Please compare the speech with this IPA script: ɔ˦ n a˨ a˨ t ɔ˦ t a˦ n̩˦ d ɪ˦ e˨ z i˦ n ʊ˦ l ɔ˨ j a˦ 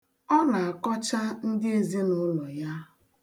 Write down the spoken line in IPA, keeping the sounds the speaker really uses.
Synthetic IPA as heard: ɔ˦ n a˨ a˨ k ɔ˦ t͡ʃ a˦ n̩˦ d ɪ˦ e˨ z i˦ n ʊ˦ l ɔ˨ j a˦